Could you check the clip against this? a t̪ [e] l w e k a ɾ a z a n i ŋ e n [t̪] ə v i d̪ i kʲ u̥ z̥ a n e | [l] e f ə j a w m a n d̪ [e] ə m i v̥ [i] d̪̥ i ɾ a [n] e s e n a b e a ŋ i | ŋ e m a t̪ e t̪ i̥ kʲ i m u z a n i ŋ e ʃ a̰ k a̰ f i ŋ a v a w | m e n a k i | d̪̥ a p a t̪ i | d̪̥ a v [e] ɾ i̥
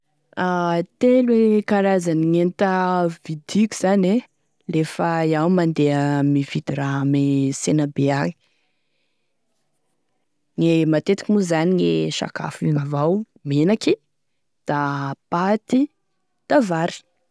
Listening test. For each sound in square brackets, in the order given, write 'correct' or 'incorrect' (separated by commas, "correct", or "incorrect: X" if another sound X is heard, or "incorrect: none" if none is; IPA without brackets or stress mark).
correct, correct, correct, correct, correct, incorrect: m, incorrect: a